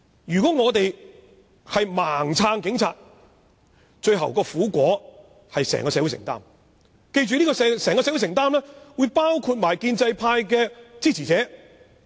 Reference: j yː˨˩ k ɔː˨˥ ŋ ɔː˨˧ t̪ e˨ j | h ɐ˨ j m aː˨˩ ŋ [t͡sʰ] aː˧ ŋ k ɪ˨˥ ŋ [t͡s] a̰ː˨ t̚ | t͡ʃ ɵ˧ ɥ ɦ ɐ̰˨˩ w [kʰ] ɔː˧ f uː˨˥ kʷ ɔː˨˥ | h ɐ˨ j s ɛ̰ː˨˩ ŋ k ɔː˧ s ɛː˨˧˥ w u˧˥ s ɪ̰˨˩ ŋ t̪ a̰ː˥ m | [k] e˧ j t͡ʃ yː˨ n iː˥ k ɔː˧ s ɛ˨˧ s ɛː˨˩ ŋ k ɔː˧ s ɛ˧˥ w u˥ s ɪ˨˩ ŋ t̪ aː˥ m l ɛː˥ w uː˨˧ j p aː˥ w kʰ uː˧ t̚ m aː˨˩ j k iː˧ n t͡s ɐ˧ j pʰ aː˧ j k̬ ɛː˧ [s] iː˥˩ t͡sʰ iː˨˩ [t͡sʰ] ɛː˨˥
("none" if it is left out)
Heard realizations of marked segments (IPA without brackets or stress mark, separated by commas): t͡sʰ, t͡sʰ, k, k, t͡s, t͡s